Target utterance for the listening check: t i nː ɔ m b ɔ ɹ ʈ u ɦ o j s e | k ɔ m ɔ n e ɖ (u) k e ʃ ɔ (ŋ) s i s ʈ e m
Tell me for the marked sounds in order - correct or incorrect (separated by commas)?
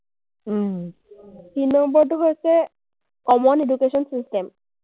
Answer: correct, incorrect